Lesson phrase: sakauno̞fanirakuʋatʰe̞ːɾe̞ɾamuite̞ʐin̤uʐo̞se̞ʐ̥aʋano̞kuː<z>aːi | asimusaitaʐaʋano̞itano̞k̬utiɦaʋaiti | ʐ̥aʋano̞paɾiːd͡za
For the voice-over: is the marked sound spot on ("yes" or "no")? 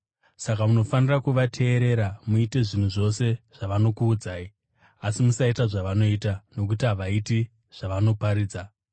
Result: no